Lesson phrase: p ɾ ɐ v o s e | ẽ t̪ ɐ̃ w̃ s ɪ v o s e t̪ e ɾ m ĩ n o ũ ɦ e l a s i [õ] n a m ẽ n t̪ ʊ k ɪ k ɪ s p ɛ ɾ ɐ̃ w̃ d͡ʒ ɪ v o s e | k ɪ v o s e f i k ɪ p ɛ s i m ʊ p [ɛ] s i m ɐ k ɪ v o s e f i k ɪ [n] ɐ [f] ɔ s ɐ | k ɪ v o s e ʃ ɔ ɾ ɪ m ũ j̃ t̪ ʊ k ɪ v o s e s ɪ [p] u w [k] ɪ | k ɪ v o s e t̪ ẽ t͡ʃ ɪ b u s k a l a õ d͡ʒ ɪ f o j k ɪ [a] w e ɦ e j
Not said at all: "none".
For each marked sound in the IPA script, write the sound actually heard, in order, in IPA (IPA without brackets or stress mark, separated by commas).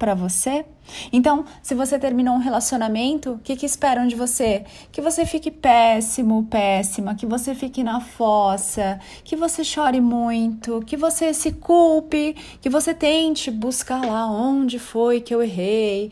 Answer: o, ɛ, n, f, k, p, e